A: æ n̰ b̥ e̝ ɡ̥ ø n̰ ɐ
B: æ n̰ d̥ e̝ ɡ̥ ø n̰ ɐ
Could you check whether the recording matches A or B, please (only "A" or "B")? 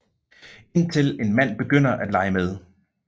A